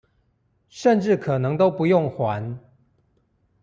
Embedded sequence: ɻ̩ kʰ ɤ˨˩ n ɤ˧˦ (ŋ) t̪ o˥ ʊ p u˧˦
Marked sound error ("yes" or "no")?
no